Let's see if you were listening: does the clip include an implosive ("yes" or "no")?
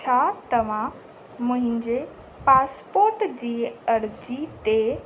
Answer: no